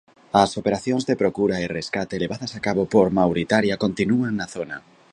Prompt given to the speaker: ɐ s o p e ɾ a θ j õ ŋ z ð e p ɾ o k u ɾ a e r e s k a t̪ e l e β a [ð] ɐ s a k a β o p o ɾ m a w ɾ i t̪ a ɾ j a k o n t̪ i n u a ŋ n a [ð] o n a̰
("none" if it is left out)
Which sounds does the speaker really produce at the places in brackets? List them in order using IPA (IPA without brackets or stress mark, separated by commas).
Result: ð, θ